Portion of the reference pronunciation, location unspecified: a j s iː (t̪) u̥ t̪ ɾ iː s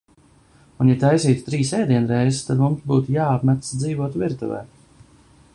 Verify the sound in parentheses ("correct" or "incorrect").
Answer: correct